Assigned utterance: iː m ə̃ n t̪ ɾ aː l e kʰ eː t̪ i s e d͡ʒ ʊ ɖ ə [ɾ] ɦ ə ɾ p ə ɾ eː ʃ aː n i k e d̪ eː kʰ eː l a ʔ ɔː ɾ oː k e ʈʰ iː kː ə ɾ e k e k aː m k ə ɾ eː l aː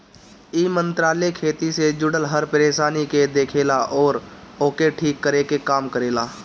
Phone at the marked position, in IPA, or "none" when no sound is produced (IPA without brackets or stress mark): l